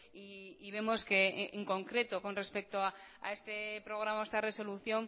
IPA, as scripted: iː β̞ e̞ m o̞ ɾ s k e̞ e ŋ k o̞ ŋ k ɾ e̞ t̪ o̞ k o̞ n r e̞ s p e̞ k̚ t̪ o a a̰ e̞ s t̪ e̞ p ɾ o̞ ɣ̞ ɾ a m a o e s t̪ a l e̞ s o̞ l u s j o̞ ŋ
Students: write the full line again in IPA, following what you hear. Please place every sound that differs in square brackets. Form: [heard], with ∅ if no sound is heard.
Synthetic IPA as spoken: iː β̞ e̞ m o̞ [∅] s k e̞ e ŋ k o̞ ŋ k ɾ e̞ t̪ o̞ k o̞ n r e̞ s p e̞ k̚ t̪ o a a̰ e̞ s t̪ e̞ p ɾ o̞ ɣ̞ ɾ a m a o e s t̪ a [r] e̞ s o̞ l u [θ] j o̞ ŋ